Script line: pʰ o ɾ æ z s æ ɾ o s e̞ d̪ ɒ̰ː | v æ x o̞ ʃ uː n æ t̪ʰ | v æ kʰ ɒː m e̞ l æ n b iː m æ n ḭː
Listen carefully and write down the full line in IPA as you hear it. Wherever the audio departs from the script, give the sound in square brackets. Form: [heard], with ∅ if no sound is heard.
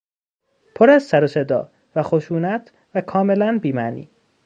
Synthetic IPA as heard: pʰ o ɾ æ z s æ ɾ o s e̞ d̪ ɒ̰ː | v æ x o̞ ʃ uː n æ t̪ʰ | v æ kʰ ɒː m e̞ l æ n b iː m æ n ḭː